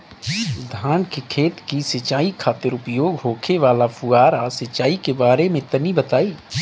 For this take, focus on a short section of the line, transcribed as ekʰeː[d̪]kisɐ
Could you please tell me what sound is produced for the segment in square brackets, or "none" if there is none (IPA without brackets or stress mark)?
t̪